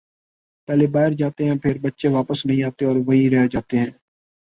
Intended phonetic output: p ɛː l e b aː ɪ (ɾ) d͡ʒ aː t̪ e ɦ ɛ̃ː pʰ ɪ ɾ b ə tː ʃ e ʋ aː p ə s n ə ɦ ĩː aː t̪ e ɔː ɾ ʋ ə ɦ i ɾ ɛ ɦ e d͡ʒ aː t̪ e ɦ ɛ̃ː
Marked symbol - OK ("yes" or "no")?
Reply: yes